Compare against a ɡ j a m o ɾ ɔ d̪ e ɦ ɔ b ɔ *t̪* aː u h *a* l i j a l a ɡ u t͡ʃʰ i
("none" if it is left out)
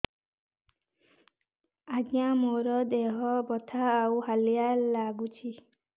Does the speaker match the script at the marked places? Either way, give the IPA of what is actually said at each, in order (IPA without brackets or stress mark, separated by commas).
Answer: t̪ʰ, a